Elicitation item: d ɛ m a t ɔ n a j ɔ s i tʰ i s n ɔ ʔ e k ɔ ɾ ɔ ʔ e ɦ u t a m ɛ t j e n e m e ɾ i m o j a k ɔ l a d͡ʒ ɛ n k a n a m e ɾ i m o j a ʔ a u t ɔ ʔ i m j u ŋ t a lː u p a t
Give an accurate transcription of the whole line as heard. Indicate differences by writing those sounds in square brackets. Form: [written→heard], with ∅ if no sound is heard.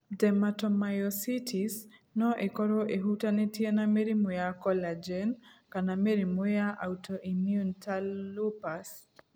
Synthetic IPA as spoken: d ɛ m a t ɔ [n→m] a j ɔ s i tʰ i s n ɔ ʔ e k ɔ ɾ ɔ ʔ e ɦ u t a [m→n] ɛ t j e n [e→a] m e ɾ i m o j a k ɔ l a d͡ʒ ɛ n k a n a m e ɾ i m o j a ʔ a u t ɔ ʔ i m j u [ŋ→n] t a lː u p a [t→s]